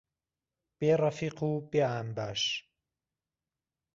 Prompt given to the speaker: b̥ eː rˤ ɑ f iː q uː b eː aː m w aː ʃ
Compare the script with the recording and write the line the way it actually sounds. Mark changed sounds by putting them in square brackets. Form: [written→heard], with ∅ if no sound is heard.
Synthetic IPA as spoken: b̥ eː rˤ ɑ f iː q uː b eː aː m [w→b] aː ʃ